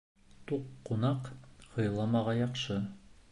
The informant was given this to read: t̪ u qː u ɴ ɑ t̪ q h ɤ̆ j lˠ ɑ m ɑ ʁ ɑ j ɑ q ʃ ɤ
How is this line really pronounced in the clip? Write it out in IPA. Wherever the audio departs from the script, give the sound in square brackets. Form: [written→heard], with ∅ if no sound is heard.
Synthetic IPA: t̪ u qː u [ɴ→n] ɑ [t̪→∅] q h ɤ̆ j lˠ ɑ m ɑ ʁ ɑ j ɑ q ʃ ɤ